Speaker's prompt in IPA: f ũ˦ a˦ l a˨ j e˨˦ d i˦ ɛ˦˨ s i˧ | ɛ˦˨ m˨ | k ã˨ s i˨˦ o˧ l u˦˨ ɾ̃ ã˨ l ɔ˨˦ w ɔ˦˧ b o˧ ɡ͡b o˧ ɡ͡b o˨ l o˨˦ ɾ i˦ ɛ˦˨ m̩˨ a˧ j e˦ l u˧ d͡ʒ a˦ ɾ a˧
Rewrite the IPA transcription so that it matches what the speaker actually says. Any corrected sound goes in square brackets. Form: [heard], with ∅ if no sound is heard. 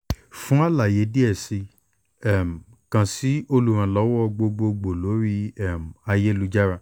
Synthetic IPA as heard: f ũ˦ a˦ l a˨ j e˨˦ d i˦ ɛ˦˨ s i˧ | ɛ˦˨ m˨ | k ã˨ s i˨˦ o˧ l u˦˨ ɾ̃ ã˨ l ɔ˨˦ w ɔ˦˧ [ɡ͡b] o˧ ɡ͡b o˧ ɡ͡b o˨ l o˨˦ ɾ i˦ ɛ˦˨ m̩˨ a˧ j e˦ l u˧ d͡ʒ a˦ ɾ a˧